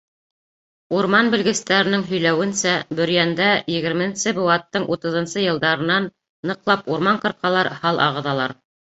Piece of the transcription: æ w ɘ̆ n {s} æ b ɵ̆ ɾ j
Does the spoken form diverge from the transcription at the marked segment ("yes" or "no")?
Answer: no